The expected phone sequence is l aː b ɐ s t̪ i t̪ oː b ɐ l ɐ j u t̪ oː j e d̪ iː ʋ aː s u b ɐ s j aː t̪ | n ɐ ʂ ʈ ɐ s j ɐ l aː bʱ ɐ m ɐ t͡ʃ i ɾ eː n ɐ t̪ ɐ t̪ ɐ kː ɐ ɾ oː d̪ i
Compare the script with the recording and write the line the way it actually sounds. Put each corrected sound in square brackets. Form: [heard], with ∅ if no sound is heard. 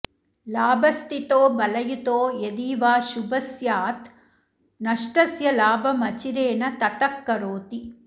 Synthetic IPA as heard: l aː b ɐ s t̪ i t̪ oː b ɐ l ɐ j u t̪ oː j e d̪ iː ʋ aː [ʃ] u b ɐ s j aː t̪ | n ɐ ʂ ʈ ɐ s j ɐ l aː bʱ ɐ m ɐ t͡ʃ i ɾ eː n ɐ t̪ ɐ t̪ ɐ kː ɐ ɾ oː [t̪] i